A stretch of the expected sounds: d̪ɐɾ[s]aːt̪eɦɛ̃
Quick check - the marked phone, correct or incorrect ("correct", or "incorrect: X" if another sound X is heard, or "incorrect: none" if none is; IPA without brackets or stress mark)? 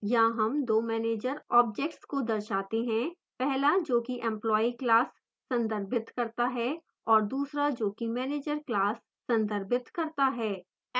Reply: incorrect: ʃ